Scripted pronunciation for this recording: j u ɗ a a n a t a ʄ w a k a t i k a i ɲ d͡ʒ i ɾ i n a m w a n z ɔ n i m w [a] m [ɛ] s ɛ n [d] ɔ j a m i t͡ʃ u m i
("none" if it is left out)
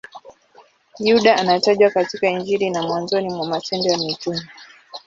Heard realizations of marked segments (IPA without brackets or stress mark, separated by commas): a, a, d